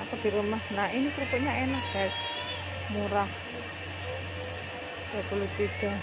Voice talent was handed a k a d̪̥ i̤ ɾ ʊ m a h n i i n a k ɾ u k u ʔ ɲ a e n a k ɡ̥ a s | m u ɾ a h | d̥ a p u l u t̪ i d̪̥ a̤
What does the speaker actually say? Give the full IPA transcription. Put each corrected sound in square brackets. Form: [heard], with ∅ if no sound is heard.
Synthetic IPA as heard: a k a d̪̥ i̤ ɾ [u] m a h n [a] i n [i] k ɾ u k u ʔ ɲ a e n a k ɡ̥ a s | m u ɾ a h | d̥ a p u l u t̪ i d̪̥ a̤

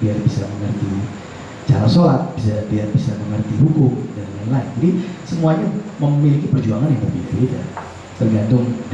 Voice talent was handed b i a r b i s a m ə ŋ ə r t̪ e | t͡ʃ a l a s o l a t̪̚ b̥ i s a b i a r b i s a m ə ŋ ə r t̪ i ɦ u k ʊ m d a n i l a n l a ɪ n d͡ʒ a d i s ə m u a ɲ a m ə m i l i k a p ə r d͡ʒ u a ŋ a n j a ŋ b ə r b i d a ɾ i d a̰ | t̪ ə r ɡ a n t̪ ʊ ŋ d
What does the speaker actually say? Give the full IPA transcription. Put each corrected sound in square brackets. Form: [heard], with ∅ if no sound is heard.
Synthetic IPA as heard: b i a r b i s a m ə ŋ ə r t̪ [i] | t͡ʃ a [ɾ] a s o l a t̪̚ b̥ i s a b i a r b i s a m ə ŋ ə r t̪ i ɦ u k ʊ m d a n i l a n l a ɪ n d͡ʒ a d i s ə m u a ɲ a m ə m i l i k [i] p ə r d͡ʒ u a ŋ a n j a ŋ b ə r b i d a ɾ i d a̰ | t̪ ə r ɡ a n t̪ ʊ ŋ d

